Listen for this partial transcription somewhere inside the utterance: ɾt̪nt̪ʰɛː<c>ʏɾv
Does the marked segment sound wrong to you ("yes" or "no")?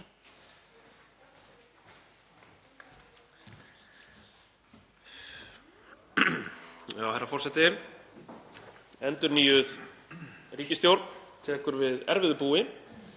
yes